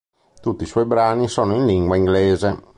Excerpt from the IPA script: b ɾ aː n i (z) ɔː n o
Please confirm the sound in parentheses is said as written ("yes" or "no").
no